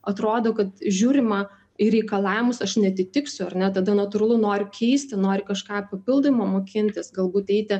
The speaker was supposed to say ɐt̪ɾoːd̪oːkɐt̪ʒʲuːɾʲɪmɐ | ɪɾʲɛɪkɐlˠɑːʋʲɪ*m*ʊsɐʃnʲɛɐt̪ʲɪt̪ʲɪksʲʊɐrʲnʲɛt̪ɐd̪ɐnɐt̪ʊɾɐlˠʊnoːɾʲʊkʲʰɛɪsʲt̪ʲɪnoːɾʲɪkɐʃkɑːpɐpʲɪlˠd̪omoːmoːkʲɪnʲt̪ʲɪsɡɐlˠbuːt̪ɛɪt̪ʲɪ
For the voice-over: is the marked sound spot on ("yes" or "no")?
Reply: yes